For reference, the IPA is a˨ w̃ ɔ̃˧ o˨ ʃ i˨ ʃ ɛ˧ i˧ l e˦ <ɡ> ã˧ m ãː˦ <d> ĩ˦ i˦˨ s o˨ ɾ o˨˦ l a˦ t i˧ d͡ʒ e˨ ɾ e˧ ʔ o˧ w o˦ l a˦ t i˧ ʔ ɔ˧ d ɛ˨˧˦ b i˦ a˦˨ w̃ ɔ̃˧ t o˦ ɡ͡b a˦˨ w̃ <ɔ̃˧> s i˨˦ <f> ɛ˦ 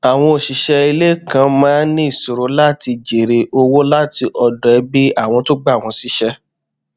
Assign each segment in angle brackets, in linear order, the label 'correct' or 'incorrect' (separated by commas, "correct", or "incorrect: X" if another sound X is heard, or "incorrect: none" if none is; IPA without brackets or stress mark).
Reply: incorrect: k, incorrect: n, correct, incorrect: ʃ